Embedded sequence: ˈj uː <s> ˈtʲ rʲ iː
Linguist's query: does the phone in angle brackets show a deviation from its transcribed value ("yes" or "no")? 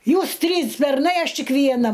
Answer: no